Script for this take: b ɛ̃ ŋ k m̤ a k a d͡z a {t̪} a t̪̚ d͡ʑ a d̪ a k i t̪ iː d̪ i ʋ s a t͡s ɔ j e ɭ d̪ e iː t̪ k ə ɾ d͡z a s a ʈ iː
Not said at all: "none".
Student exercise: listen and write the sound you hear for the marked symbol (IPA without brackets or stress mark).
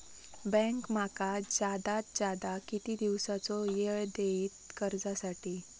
d̪